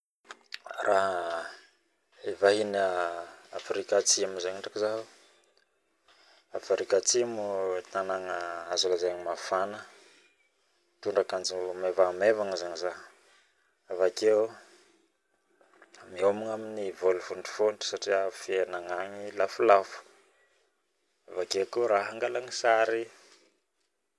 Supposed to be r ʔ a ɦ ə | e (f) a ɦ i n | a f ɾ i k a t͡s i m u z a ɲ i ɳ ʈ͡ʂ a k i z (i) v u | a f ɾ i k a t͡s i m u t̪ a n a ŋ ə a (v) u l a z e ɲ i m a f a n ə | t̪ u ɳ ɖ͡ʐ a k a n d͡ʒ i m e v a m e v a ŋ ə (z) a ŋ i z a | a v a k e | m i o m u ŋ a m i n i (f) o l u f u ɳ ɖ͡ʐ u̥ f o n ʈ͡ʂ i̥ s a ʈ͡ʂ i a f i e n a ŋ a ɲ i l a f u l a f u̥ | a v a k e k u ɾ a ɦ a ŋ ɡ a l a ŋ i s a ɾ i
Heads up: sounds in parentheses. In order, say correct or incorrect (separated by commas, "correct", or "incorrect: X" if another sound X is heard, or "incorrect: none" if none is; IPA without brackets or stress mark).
incorrect: v, incorrect: a, incorrect: z, correct, incorrect: v